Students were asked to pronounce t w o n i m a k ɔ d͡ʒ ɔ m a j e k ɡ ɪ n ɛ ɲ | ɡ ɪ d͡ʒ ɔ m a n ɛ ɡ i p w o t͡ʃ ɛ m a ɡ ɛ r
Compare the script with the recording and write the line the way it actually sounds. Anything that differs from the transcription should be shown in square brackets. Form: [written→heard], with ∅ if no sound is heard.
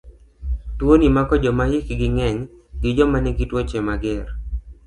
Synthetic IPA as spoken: t w o n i m a k ɔ d͡ʒ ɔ m a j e k ɡ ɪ [n→ŋ] ɛ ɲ | ɡ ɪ d͡ʒ ɔ m a n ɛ ɡ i [p→t] w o t͡ʃ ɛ m a ɡ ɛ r